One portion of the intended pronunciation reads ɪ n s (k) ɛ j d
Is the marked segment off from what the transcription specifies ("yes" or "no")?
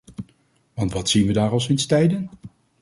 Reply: yes